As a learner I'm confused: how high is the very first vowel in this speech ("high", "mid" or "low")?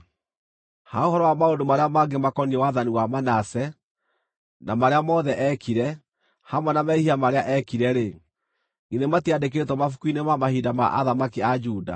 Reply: low